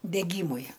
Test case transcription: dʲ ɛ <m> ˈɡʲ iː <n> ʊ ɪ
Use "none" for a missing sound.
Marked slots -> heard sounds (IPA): none, m

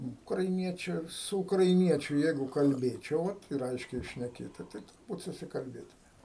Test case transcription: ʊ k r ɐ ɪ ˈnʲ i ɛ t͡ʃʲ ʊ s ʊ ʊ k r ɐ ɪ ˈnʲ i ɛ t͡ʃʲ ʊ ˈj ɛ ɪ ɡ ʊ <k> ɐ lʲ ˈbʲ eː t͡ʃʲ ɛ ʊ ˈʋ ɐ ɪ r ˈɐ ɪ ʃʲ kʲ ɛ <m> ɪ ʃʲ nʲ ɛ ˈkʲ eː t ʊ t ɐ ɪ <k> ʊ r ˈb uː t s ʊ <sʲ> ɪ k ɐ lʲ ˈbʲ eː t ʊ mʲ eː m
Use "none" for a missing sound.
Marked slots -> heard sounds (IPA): k, none, t, sʲ

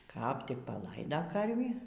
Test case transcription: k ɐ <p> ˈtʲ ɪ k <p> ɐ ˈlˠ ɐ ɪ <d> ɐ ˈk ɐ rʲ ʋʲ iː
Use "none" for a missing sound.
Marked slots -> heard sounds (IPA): p, p, d

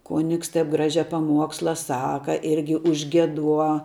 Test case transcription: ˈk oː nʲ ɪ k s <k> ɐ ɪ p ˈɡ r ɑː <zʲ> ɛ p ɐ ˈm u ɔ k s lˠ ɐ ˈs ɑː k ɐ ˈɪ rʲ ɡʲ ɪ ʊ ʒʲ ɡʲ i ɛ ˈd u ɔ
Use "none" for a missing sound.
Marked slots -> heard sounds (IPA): t, ʒʲ

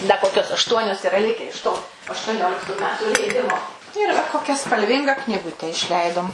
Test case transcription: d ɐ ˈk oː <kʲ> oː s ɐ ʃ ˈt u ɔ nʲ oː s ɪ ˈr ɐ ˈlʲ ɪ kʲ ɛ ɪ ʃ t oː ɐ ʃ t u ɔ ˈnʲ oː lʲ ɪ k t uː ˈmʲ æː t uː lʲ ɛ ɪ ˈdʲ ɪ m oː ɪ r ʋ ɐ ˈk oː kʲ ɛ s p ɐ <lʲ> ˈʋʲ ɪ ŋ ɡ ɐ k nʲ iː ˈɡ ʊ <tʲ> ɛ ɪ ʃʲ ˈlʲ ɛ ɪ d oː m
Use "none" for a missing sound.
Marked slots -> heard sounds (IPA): kʲ, lʲ, tʲ

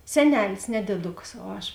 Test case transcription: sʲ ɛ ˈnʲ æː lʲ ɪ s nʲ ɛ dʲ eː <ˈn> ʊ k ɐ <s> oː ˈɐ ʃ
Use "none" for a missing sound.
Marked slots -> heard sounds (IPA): d, s

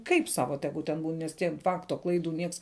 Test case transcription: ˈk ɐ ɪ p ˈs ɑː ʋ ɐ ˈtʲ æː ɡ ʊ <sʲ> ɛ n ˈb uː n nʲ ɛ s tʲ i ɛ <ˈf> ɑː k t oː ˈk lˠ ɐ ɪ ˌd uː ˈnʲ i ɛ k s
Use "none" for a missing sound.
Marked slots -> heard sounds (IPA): tʲ, f

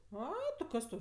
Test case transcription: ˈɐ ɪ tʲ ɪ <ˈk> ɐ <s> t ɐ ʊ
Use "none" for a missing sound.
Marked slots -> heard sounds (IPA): k, s

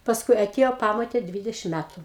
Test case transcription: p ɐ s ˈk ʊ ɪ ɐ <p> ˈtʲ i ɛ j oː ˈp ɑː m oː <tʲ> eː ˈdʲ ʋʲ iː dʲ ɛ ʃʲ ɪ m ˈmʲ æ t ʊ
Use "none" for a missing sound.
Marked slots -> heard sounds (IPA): none, tʲ

